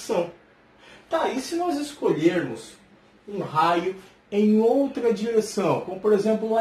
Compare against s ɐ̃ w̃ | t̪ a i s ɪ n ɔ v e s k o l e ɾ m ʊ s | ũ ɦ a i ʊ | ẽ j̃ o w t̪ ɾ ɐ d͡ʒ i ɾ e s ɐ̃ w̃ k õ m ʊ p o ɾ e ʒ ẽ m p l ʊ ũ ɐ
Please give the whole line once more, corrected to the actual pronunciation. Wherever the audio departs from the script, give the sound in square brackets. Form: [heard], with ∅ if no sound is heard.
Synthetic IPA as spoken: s ɐ̃ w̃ | t̪ a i s ɪ n ɔ [z] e s k o [ʎ] e ɾ m ʊ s | ũ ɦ a [j] ʊ | ẽ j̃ o w t̪ ɾ ɐ d͡ʒ i ɾ e s ɐ̃ w̃ k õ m ʊ p o ɾ e [z] ẽ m p l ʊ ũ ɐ